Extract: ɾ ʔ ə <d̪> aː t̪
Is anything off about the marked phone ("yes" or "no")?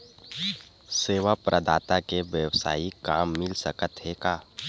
no